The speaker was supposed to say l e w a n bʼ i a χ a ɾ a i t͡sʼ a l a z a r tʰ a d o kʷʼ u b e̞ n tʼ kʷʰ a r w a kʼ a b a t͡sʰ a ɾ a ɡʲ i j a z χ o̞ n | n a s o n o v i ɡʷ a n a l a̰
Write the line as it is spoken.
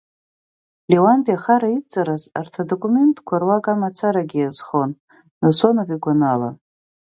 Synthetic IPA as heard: l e w a n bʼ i a χ a ɾ a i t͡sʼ a ɾ a z a r tʰ a d o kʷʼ u m e̞ n tʼ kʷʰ a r w a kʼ a m a t͡sʰ a ɾ a ɡʲ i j a z χ o̞ n | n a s o n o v i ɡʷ a n a l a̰